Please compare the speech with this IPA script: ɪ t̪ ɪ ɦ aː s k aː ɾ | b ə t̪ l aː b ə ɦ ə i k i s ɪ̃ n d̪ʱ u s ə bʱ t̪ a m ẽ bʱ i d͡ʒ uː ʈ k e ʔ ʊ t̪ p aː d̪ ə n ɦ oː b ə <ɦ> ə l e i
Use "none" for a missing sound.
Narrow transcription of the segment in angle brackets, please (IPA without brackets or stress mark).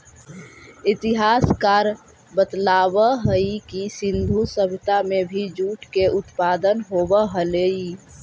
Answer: ɦ